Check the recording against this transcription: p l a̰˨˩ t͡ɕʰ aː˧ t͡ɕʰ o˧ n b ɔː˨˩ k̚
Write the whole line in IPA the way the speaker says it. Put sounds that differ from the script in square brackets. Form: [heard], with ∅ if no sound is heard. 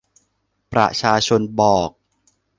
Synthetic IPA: p [ɾ] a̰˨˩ t͡ɕʰ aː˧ t͡ɕʰ o˧ n b ɔː˨˩ k̚